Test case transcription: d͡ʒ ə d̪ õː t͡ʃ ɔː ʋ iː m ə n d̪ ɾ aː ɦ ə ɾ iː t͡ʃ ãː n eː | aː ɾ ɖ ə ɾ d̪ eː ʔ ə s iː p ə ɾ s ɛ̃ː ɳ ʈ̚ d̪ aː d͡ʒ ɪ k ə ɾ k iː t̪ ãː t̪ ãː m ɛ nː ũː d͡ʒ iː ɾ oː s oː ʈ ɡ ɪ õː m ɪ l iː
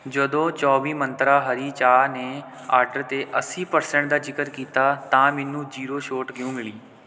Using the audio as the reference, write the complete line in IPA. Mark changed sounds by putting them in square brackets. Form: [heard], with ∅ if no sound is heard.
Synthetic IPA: d͡ʒ ə d̪ õː t͡ʃ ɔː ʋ iː m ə n [t̪] ɾ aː ɦ ə ɾ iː t͡ʃ [aː] n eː | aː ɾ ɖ ə ɾ [t̪] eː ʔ ə s iː p ə ɾ s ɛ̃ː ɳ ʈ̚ d̪ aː d͡ʒ ɪ k ə ɾ k iː t̪ [aː] t̪ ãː m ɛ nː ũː d͡ʒ iː ɾ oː [ʃ] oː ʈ ɡ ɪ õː m ɪ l iː